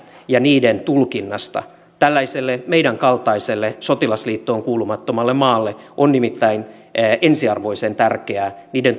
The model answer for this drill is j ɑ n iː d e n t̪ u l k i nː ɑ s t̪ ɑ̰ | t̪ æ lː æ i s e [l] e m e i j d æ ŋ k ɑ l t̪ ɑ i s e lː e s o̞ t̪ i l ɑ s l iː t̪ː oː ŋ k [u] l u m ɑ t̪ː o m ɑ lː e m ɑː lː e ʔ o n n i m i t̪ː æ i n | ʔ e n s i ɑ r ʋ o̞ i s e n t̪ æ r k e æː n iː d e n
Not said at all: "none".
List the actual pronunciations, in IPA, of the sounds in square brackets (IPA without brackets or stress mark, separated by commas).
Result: lː, uː